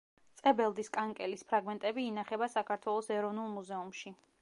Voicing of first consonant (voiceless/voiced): voiceless